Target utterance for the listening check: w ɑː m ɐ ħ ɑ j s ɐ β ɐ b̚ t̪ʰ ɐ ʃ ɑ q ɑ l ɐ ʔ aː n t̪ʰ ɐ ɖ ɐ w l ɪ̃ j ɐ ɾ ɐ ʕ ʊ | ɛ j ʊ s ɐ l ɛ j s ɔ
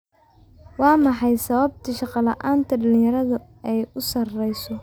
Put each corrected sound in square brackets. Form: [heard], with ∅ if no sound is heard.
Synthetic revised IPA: w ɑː m [ɑ] ħ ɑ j s ɐ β ɐ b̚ t̪ʰ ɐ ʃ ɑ q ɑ l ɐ ʔ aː n t̪ʰ ɐ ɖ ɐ [∅] l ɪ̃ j ɐ ɾ ɐ [ð] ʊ | ɛ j ʊ s ɐ [r] ɛ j s ɔ